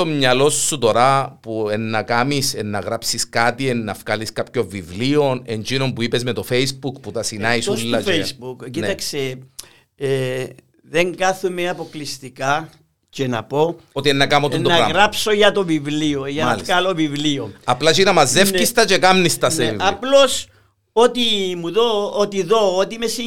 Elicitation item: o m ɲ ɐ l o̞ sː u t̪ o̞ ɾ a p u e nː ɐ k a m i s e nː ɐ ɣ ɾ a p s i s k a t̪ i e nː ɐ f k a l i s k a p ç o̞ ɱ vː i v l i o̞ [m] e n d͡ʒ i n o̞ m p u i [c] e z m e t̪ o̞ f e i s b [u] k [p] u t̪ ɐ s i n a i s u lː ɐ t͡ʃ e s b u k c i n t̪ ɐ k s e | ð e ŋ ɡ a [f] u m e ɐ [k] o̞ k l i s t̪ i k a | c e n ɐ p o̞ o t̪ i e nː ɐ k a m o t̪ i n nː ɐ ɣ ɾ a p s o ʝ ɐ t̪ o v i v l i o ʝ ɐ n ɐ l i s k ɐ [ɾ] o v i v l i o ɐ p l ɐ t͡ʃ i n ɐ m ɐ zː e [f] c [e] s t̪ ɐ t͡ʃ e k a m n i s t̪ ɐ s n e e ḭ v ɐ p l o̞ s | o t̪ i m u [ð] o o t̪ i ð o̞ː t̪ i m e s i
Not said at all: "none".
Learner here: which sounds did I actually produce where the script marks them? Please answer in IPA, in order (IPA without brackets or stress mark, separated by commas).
n, p, u, p, θ, p, l, f, i, ð